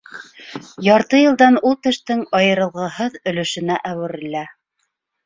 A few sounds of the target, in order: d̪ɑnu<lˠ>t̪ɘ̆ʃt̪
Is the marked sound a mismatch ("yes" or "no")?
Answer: no